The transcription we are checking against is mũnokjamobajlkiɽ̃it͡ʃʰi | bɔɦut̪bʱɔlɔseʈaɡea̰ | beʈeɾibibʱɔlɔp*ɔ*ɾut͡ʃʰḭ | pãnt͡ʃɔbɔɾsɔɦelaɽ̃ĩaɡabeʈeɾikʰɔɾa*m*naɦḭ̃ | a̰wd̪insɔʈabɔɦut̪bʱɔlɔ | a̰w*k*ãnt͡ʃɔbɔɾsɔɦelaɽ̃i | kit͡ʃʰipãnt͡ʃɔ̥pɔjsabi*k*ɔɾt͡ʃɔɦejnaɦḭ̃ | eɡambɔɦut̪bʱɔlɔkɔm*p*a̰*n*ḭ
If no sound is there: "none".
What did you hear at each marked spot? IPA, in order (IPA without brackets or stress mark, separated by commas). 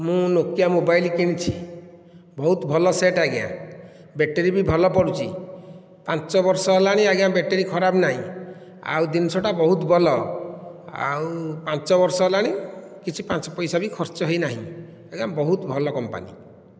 ɔ, b, p, kʰ, p, n